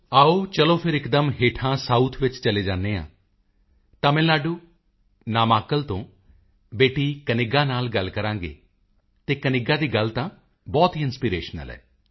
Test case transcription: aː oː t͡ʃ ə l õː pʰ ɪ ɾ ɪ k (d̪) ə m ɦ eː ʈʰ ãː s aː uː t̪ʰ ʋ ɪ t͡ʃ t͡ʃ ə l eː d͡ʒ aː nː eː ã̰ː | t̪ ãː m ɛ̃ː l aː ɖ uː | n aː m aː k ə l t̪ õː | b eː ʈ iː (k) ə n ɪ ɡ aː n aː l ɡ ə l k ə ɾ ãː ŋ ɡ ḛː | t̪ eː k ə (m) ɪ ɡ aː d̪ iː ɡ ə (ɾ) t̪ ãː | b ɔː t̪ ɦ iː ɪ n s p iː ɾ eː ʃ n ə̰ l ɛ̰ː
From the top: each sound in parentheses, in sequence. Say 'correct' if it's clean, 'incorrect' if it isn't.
correct, correct, incorrect, incorrect

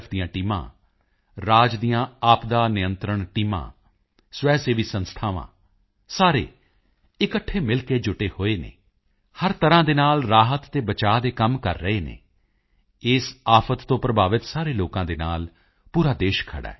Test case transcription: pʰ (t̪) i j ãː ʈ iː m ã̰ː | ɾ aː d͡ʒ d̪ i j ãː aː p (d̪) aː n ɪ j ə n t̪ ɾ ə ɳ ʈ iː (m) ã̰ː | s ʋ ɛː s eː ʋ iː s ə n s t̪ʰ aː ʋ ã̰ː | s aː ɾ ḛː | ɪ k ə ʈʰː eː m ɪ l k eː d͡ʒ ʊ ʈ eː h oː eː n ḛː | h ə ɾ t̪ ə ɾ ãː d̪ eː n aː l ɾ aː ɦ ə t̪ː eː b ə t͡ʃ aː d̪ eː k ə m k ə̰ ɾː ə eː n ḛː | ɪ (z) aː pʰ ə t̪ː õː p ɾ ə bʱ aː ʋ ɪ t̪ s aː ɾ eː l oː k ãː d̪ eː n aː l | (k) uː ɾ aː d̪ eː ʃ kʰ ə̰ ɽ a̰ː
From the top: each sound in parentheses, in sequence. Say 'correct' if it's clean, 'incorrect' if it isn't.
incorrect, correct, correct, incorrect, incorrect

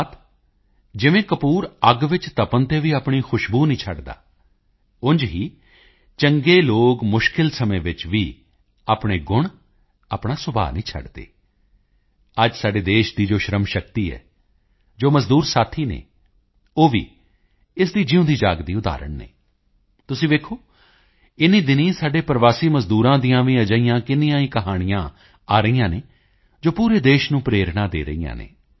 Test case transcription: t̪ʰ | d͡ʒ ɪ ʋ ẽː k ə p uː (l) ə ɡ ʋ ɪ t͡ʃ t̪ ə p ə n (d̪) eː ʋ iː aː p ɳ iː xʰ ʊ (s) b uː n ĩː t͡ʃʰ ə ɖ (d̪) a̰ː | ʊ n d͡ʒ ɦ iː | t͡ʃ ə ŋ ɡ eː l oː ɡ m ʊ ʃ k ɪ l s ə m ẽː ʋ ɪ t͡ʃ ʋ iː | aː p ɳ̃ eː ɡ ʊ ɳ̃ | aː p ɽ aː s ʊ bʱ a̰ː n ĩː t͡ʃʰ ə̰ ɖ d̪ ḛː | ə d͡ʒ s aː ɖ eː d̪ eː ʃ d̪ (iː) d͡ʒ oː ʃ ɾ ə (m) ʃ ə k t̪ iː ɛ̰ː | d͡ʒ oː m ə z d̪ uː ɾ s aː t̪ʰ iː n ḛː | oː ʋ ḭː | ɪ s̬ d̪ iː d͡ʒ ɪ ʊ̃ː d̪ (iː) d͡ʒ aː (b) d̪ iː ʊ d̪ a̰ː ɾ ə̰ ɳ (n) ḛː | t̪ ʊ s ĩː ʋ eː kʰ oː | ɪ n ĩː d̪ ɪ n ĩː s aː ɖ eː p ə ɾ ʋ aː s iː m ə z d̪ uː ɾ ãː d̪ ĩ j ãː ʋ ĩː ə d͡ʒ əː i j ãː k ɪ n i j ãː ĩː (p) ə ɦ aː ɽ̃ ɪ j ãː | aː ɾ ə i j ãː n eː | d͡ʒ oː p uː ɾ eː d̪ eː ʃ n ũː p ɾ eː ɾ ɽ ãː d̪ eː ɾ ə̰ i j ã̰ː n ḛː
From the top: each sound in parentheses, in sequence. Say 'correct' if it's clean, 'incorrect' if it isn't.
incorrect, incorrect, incorrect, correct, correct, correct, correct, incorrect, correct, incorrect

